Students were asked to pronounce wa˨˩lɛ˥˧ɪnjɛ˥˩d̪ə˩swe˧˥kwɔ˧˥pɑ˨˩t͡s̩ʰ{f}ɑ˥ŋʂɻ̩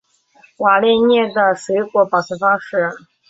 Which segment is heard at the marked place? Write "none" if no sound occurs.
f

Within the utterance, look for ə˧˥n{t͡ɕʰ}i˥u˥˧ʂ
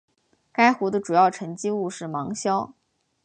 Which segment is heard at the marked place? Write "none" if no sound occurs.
t͡ɕ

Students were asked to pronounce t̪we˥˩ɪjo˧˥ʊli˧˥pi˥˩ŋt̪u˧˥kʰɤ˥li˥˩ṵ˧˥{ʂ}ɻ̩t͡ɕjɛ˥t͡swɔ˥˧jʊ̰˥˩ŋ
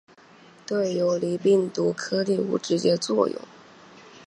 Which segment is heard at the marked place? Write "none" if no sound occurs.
ʈ͡ʂ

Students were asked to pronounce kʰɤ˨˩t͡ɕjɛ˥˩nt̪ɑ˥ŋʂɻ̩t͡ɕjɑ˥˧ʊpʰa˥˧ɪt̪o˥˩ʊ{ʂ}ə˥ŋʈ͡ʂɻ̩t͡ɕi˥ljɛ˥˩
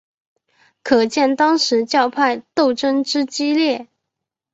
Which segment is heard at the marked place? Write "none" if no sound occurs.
ʈ͡ʂ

